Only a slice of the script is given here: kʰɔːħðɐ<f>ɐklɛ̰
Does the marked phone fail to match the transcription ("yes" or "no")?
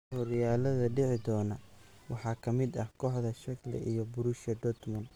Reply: yes